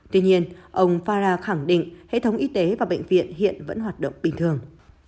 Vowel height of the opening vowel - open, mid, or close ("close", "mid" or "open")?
close